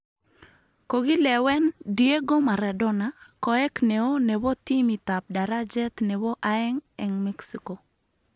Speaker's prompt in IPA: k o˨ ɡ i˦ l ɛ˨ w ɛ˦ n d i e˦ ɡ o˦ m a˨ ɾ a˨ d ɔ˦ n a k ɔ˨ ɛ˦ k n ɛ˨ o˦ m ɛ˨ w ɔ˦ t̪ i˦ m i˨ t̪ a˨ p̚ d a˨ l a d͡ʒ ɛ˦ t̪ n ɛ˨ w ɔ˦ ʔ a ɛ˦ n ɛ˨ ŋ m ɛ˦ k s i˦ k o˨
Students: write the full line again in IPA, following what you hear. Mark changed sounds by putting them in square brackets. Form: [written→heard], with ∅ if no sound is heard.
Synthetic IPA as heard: k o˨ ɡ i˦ l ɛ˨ w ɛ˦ n d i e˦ ɡ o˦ m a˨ ɾ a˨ d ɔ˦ n a k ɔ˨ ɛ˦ k n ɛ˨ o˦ [m→n] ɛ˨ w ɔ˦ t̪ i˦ m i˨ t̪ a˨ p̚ d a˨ [l→ɾ] a d͡ʒ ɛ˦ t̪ n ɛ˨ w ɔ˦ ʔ a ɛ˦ [n→ŋ] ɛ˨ ŋ m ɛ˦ k s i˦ k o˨

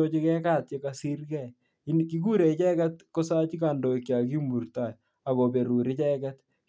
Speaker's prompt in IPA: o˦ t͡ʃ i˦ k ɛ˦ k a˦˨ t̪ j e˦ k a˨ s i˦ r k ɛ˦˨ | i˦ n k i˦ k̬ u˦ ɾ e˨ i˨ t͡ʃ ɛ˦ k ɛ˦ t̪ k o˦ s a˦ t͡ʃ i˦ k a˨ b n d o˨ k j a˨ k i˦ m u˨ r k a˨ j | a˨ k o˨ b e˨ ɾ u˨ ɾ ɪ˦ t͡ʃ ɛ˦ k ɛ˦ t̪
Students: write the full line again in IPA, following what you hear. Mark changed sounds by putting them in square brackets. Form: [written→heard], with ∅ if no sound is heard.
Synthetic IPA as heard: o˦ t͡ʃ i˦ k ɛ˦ k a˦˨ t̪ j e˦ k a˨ s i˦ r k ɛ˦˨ | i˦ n k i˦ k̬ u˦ ɾ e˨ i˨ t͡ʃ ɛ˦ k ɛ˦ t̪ k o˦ s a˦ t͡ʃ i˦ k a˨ [b→∅] n d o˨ k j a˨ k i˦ m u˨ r [k→t] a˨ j | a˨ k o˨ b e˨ ɾ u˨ ɾ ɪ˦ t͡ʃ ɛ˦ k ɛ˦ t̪

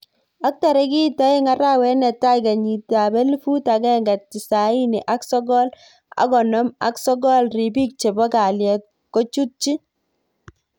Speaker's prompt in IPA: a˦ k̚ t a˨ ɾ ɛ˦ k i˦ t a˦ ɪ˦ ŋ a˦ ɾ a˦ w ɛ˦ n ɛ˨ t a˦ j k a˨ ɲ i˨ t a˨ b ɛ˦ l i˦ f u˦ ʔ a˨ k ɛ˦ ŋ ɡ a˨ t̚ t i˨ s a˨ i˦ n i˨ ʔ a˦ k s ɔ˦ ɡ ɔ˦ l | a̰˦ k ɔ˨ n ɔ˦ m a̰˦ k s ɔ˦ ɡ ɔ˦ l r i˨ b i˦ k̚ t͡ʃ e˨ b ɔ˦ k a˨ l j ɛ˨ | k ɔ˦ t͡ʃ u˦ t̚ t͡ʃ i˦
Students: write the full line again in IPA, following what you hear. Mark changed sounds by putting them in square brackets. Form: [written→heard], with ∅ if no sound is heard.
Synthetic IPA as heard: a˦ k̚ t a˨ ɾ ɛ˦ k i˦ t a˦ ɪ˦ ŋ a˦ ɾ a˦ w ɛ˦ n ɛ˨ t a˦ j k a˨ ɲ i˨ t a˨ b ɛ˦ l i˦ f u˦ [ʔ→t] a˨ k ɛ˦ ŋ ɡ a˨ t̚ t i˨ s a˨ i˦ n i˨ ʔ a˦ k s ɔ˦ ɡ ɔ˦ l | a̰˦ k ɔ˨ n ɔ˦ m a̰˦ k s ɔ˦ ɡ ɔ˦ l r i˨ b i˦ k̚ t͡ʃ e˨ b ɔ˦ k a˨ l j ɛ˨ | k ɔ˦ t͡ʃ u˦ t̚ t͡ʃ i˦

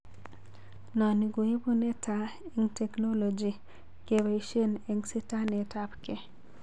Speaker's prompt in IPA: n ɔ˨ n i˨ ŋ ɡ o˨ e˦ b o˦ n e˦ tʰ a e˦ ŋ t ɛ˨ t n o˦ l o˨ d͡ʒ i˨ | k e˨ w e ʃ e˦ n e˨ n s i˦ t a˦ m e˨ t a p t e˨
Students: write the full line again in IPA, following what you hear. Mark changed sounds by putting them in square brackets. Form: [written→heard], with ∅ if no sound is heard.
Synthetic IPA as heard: n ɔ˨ n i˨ [ŋ→∅] ɡ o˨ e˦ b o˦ n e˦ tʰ a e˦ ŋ t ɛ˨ [t→k] n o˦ l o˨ d͡ʒ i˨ | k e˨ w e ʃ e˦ n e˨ [n→ŋ] s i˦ t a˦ [m→n] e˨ t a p [t→k] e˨

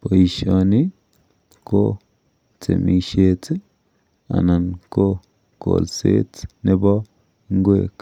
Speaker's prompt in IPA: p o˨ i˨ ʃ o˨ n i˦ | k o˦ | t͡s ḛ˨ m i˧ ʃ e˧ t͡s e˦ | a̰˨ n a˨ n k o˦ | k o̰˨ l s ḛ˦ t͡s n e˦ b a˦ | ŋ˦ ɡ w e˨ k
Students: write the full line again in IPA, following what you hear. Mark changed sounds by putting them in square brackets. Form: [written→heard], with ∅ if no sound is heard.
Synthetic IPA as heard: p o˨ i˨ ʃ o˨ n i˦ | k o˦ | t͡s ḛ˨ m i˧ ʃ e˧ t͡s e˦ | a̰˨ n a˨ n k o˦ | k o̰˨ l s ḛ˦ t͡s n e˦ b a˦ | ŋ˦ ɡ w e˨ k

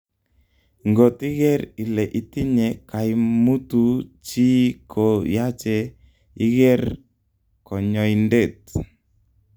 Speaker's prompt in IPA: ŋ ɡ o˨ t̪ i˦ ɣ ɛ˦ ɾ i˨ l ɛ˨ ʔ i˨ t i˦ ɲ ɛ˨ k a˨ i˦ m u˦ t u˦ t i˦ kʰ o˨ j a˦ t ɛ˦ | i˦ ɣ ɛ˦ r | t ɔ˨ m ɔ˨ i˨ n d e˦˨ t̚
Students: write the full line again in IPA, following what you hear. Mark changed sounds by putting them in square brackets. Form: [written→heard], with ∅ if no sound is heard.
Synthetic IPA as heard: ŋ ɡ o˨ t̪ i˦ ɣ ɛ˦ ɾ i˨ l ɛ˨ ʔ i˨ t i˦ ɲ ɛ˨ k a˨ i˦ m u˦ t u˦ [t→t͡ʃ] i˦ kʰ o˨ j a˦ [t→t͡ʃ] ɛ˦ | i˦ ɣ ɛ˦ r | [t→k] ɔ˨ [m→ɲ] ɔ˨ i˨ n d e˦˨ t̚

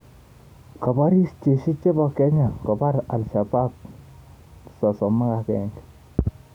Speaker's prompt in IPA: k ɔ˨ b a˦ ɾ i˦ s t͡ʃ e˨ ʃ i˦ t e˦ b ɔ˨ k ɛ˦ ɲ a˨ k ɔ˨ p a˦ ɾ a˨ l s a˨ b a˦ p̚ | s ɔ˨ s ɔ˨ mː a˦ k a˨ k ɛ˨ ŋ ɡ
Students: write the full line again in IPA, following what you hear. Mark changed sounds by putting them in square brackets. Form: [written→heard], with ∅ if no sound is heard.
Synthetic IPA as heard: k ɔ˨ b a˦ ɾ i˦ s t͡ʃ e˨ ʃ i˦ [t→t͡ʃ] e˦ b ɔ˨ k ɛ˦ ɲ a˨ k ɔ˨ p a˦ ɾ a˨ l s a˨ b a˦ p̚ | s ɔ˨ s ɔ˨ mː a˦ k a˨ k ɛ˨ ŋ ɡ

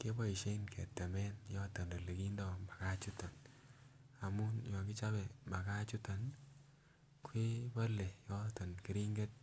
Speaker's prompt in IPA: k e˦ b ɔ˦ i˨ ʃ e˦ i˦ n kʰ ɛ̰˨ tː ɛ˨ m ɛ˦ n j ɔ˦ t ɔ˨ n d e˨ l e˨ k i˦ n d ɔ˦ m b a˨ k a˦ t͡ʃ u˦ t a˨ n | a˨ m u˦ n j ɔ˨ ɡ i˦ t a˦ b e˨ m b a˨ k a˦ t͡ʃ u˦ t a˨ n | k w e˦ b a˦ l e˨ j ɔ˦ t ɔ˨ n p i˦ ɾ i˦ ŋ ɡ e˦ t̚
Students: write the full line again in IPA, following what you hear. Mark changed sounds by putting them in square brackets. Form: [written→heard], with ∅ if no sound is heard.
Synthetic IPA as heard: k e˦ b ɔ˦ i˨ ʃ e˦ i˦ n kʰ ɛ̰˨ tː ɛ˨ m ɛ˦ n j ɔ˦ t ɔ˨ n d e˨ l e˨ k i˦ n d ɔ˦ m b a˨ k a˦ t͡ʃ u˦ t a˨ n | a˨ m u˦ n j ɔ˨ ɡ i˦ [t→t͡ʃ] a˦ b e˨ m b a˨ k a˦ t͡ʃ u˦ t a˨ n | k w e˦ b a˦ l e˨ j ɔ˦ t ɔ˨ n [p→k] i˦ ɾ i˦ ŋ ɡ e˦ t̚

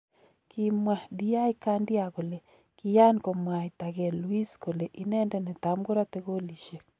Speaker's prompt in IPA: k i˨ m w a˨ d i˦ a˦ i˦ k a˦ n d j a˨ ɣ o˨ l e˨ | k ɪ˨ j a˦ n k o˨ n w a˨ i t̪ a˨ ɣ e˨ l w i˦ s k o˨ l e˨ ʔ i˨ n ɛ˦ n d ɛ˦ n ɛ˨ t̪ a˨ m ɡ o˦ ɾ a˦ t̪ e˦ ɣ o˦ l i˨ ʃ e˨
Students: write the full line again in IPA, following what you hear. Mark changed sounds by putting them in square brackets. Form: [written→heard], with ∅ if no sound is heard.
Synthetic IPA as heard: k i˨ m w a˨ d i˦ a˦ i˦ k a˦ n d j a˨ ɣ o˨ l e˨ | k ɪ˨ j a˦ n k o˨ [n→m] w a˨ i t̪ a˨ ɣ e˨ l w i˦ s k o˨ l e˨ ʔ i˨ n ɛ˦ n d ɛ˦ n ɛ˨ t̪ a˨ m ɡ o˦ ɾ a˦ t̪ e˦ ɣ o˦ l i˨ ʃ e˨

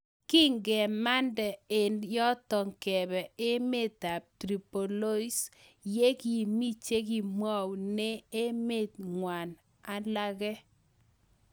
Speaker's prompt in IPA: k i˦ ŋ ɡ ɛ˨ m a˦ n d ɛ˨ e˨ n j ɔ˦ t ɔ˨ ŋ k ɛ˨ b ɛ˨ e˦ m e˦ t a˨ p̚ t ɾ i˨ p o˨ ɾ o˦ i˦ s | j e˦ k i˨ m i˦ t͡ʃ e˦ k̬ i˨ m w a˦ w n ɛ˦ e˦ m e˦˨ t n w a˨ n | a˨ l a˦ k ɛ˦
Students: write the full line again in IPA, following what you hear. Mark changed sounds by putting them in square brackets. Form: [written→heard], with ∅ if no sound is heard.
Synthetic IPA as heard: k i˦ ŋ ɡ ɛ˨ m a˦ n d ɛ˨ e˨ n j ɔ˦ t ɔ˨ ŋ k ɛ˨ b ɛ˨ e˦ m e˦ t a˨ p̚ t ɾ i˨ p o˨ [ɾ→l] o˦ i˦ s | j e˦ k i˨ m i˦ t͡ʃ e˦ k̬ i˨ m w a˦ w n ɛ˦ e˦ m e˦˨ t [n→ŋ] w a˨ n | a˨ l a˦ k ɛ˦

